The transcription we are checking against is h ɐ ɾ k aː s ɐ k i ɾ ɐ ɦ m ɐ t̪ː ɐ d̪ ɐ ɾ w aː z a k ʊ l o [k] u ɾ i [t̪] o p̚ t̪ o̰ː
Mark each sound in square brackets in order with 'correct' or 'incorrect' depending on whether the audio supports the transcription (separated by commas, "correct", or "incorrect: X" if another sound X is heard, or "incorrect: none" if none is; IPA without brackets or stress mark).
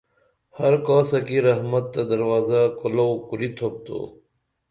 correct, incorrect: t̪ʰ